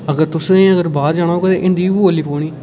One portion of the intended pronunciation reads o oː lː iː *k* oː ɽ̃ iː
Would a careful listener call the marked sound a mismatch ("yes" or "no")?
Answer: yes